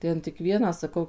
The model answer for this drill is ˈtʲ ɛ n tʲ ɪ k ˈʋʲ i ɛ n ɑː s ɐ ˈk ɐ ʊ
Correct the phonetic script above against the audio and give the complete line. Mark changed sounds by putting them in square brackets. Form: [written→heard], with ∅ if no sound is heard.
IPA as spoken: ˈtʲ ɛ n tʲ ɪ k ˈʋʲ i ɛ n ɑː s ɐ ˈk ɐ ʊ